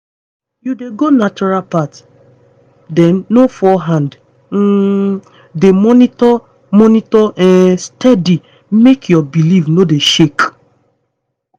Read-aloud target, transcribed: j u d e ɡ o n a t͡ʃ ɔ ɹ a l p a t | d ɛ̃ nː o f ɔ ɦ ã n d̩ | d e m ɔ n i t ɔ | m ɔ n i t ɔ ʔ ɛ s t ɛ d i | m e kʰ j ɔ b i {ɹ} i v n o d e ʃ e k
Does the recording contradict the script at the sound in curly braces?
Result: yes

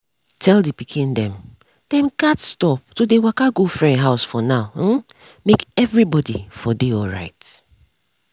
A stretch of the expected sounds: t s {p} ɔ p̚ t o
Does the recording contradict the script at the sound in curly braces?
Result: yes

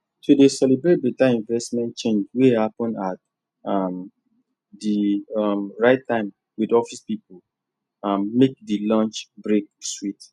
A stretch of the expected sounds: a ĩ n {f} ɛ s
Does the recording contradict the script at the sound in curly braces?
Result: yes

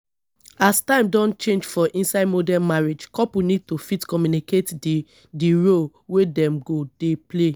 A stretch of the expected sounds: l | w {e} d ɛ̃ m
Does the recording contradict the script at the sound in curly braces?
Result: no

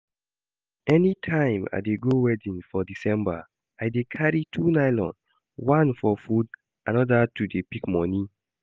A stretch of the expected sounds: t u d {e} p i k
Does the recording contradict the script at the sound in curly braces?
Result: no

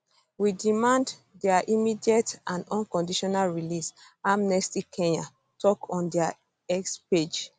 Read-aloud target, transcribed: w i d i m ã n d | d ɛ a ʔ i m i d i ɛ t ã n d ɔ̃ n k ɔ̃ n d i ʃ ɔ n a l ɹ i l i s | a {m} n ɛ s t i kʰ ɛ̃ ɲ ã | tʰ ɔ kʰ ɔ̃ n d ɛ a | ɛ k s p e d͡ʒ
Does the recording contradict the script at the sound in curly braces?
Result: no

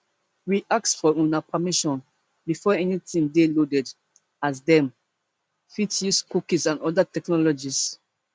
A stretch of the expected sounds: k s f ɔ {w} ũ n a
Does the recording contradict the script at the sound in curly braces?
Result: yes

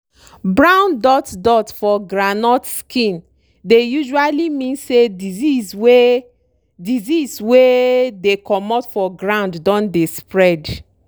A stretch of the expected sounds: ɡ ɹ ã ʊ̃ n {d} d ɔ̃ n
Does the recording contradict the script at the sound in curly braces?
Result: no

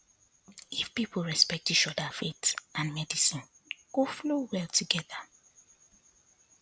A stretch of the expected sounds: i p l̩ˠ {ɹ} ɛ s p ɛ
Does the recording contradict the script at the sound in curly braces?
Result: no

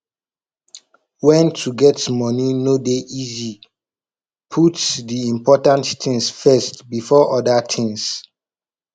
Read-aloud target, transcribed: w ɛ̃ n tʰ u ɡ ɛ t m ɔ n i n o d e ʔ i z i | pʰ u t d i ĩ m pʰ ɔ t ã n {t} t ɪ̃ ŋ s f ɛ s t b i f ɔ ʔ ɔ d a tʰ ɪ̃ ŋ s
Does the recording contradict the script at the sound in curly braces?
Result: no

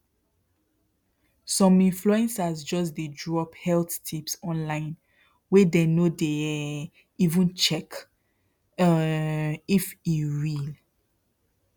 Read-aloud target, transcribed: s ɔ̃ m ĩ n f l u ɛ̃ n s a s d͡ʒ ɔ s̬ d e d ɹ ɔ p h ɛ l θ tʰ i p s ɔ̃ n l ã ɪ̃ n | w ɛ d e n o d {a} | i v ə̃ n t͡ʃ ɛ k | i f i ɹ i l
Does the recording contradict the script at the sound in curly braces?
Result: yes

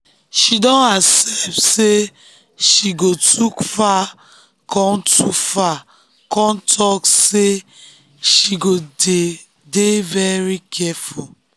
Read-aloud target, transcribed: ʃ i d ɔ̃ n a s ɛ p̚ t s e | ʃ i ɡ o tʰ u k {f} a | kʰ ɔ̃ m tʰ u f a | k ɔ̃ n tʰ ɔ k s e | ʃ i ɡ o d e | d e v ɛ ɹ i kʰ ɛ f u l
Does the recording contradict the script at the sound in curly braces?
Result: no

